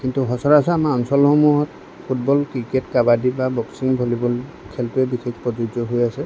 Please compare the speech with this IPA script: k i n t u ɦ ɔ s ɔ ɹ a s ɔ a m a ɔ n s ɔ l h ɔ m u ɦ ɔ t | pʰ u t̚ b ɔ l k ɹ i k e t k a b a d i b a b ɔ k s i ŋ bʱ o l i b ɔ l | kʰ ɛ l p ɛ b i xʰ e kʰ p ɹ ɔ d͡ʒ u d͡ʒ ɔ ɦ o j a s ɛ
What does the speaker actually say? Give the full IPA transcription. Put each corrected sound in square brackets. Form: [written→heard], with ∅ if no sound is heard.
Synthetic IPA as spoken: k i n t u ɦ ɔ s ɔ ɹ a s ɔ a m a ɔ n s ɔ l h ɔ m u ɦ ɔ t | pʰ u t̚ b ɔ l k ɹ i k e t k a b a d i b a b ɔ k s i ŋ bʱ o l i b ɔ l | kʰ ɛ l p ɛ b i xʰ e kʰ p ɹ ɔ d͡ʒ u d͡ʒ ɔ ɦ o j a s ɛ

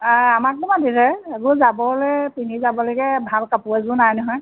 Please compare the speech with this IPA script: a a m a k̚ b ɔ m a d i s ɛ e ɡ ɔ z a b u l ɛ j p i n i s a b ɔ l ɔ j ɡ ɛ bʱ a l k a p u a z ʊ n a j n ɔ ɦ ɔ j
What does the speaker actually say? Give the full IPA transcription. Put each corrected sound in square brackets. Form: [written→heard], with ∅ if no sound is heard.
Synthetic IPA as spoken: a a m a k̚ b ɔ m a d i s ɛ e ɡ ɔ z a b [u→ɔ] l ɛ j p i n i [s→z] a b ɔ l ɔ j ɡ ɛ bʱ a l k a p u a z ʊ n a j n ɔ ɦ ɔ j

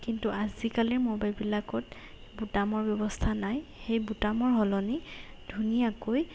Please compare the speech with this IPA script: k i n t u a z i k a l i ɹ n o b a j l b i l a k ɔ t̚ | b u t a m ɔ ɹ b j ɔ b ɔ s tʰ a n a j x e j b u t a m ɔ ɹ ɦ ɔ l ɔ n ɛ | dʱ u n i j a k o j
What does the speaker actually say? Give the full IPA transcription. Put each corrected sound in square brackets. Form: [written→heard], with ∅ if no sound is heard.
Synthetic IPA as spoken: k i n t u a z i k a l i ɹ [n→m] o b a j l b i l a k ɔ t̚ | b u t a m ɔ ɹ b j ɔ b ɔ s tʰ a n a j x e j b u t a m ɔ ɹ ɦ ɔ l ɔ n [ɛ→i] | dʱ u n i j a k o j

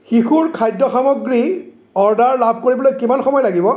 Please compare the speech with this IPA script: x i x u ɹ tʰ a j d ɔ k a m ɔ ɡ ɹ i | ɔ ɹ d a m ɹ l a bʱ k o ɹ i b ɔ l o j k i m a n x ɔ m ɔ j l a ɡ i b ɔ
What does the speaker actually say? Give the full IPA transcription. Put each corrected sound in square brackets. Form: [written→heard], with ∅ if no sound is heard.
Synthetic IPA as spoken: x i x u ɹ [tʰ→kʰ] a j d ɔ [k→x] a m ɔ ɡ ɹ i | ɔ ɹ d a [m→∅] ɹ l a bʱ k o ɹ i b ɔ l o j k i m a n x ɔ m ɔ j l a ɡ i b ɔ

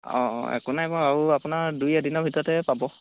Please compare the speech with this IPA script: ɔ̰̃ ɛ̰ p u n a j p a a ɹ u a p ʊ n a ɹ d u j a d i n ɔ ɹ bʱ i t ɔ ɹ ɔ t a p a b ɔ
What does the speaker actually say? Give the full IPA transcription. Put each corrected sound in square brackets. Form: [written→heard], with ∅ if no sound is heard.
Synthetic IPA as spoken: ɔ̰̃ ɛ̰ [p→k] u n a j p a a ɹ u a p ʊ n a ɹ d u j a d i n ɔ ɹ bʱ i t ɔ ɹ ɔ t [a→ɛ] p a b ɔ

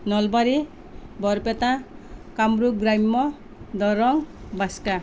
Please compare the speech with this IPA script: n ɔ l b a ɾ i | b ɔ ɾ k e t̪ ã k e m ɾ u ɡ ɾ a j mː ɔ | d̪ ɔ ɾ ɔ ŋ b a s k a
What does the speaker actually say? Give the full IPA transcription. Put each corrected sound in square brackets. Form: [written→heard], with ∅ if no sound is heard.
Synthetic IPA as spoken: n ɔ l b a ɾ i | b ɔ ɾ [k→p] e t̪ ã k [e→a] m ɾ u ɡ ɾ a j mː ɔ | d̪ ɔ ɾ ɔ ŋ b a s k a

